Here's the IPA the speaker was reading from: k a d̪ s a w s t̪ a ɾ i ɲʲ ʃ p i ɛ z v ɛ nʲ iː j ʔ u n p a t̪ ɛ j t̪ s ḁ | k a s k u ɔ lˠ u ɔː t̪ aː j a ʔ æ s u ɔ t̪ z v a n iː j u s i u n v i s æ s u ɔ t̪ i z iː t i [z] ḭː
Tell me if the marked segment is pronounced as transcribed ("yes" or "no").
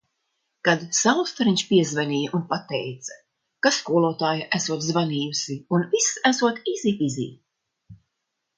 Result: yes